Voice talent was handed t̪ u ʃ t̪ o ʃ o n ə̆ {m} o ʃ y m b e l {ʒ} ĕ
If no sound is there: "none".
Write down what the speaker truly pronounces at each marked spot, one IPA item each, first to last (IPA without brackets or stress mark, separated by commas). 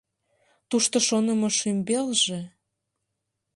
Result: m, ʒ